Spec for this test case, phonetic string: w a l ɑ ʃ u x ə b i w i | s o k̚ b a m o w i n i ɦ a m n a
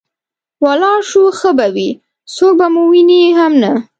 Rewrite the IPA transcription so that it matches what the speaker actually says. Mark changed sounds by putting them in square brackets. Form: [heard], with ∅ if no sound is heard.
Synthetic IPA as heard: w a l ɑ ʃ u x ə b [a] w i | s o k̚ b a m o w i n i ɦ a m n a